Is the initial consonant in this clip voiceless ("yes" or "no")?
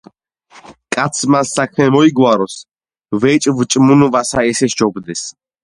yes